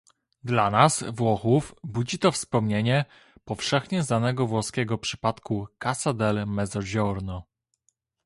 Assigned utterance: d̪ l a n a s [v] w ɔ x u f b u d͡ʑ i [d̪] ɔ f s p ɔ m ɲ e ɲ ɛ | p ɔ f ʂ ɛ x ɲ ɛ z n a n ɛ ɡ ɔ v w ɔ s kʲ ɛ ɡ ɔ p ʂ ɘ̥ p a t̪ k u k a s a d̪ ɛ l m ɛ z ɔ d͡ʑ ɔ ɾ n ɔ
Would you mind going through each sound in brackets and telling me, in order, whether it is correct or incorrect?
correct, incorrect: t̪

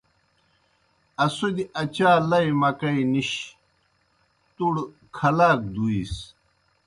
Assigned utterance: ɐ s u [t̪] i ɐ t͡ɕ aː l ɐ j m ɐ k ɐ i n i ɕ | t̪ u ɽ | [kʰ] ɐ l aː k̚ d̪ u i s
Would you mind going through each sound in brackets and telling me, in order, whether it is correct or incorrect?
incorrect: d̪, correct

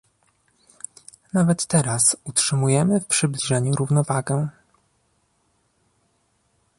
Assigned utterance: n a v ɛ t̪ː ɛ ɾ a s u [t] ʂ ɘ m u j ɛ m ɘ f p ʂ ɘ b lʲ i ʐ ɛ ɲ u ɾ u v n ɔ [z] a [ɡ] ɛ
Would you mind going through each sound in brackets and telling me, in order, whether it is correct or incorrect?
correct, incorrect: v, correct

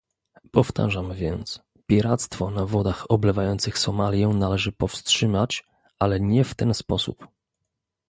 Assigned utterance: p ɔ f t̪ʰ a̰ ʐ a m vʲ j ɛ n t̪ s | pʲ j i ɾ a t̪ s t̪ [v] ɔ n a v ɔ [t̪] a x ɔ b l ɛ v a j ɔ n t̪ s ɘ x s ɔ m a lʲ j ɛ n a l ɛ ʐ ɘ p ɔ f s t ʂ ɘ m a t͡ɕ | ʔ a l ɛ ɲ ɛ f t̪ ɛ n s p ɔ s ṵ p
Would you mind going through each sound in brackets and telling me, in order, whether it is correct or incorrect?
incorrect: f, incorrect: d̪

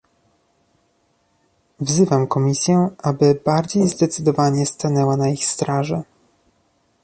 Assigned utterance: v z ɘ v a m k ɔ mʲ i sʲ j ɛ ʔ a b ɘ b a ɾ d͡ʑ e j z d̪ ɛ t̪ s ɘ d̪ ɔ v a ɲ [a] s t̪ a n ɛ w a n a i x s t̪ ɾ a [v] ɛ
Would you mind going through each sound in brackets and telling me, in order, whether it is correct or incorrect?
incorrect: ɛ, incorrect: ʐ

